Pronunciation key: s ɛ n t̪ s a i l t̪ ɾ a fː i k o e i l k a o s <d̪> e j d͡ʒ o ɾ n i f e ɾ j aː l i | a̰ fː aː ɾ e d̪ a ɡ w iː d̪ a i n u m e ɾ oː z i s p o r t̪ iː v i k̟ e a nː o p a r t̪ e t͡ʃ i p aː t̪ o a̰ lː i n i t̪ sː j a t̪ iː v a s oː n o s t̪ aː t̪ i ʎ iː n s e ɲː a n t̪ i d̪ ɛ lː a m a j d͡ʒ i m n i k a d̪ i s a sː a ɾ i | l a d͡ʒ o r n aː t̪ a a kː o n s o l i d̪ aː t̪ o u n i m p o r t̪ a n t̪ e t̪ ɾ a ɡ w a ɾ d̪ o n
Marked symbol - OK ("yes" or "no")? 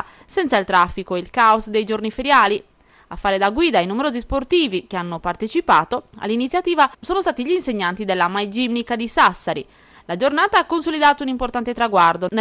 yes